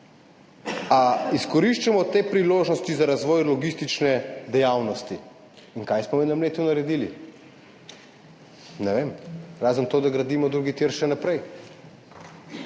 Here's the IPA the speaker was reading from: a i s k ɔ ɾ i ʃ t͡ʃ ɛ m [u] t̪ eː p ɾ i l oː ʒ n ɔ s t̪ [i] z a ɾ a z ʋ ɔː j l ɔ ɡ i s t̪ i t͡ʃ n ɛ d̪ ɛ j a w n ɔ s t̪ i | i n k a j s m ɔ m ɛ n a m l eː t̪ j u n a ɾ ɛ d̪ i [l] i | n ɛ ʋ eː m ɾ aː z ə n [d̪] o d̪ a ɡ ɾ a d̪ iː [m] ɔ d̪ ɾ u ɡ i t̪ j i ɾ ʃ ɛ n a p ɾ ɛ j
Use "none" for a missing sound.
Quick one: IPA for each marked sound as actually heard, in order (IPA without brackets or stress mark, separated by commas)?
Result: ɔ, i, l, t̪, m